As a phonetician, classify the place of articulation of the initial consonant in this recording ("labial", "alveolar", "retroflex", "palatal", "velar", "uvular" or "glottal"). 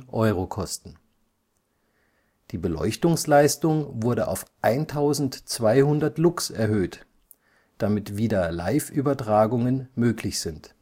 glottal